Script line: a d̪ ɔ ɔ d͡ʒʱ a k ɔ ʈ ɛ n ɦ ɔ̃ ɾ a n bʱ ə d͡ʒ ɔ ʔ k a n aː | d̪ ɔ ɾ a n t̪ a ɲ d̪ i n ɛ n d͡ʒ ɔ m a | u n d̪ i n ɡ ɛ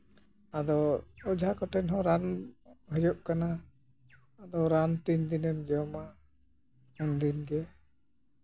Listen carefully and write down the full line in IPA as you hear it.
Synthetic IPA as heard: a d̪ ɔ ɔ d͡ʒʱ a k ɔ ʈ ɛ n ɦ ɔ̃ ɾ a n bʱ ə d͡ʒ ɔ ʔ k a n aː | d̪ ɔ ɾ a n t̪ i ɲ d̪ i n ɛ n d͡ʒ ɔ m a | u n d̪ i n ɡ ɛ